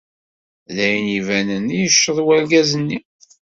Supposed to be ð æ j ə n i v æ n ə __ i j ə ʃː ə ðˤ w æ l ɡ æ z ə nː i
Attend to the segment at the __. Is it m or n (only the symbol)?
n